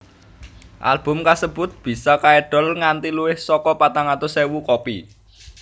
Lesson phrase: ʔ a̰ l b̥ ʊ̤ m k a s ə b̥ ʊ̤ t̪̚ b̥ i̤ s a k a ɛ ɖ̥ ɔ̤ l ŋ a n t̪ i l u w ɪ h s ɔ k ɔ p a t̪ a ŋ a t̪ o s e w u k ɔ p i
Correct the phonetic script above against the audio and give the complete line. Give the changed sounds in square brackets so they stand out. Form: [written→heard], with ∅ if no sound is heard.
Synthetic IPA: ʔ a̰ l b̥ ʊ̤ m k a s ə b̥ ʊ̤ t̪̚ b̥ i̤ s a k a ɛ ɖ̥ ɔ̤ l ŋ a n t̪ i l u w ɪ h s ɔ k ɔ p a t̪ a ŋ a t̪ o s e w u k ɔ p i